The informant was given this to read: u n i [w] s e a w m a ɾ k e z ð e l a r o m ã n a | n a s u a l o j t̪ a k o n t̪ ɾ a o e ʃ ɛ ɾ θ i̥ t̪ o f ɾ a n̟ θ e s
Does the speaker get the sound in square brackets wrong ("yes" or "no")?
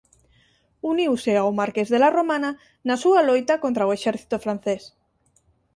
no